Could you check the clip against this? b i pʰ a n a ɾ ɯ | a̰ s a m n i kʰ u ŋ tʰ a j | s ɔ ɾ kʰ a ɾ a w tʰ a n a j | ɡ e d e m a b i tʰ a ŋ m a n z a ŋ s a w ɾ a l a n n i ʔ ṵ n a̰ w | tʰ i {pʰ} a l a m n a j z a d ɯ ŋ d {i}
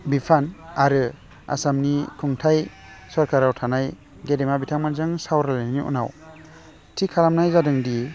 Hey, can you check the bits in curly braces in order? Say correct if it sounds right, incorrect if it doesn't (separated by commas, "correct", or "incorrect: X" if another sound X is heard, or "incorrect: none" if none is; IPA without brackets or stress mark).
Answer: incorrect: kʰ, correct